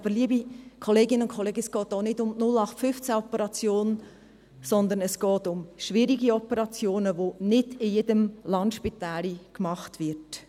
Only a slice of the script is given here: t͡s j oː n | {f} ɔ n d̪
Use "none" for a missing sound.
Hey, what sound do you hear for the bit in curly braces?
s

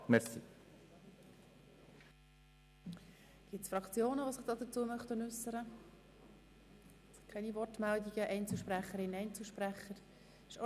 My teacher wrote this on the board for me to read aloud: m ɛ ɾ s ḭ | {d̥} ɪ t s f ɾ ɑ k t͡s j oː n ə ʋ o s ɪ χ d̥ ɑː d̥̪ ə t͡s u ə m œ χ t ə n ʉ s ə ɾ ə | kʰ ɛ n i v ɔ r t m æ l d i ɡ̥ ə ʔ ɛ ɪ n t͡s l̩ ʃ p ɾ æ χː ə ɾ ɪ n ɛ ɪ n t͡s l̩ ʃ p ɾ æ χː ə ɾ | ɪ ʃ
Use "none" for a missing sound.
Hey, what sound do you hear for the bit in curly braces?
ɡ̥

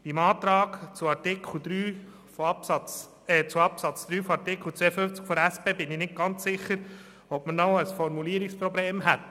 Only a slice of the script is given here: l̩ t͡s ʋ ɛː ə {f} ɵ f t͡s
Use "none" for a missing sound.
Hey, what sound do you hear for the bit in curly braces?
f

